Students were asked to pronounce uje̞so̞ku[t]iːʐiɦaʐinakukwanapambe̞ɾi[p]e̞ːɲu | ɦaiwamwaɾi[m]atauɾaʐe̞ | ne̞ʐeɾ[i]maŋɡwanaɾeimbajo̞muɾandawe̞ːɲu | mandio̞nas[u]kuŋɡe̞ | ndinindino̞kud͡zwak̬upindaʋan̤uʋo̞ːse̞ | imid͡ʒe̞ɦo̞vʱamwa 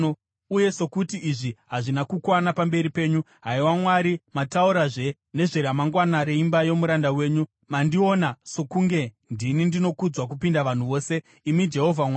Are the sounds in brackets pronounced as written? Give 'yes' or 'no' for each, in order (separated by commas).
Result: yes, yes, yes, no, no